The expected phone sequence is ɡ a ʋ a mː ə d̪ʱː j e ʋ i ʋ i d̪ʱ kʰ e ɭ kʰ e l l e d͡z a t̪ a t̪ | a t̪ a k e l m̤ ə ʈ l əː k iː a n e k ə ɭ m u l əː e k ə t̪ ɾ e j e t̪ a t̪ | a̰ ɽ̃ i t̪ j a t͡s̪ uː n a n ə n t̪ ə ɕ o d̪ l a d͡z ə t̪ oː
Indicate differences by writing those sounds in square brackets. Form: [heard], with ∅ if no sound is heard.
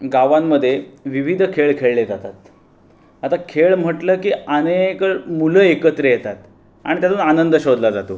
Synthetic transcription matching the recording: ɡ a ʋ a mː ə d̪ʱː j e ʋ i ʋ i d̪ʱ kʰ e ɭ kʰ e [ɭ] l e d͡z a t̪ a t̪ | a t̪ a [kʰ] e [ɭ] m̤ ə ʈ l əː k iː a n e k ə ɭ m u l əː e k ə t̪ ɾ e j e t̪ a t̪ | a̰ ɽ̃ i t̪ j a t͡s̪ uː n a n ə n [d̪] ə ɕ o d̪ l a d͡z [a] t̪ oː